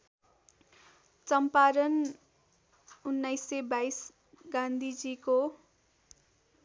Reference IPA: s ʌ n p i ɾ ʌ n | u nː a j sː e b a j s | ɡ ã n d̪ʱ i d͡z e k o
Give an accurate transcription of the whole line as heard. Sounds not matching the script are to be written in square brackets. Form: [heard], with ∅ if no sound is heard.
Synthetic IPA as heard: [t͡s] ʌ [m] p [a] ɾ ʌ n | u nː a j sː e b a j s | ɡ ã n d̪ʱ i d͡z [i] k o